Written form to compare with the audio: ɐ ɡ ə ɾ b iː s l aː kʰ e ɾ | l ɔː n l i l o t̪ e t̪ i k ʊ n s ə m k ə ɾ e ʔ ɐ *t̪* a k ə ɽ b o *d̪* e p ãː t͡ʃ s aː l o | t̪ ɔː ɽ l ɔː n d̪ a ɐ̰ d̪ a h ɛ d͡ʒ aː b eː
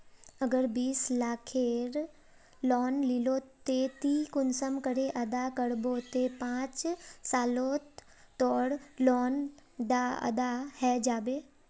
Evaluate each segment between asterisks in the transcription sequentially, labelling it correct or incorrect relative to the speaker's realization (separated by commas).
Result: incorrect, incorrect